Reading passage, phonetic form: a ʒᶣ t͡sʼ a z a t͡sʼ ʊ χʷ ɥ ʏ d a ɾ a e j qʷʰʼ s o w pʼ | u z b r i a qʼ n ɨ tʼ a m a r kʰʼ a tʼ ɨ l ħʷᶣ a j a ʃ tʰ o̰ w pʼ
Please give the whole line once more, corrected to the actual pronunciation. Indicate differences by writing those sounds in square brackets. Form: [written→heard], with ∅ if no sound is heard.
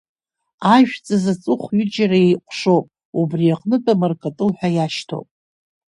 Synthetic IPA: a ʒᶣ t͡sʼ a z a t͡sʼ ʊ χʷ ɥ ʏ [d→d͡ʒ] a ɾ a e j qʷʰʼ [s→ʂ] o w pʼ | u [z→∅] b r i a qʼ n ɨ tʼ a m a r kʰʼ a tʼ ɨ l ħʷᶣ a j a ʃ tʰ o̰ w pʼ